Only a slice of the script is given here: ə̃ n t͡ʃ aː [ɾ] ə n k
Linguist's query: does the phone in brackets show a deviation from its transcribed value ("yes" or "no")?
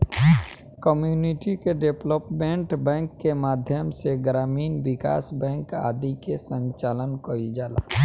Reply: yes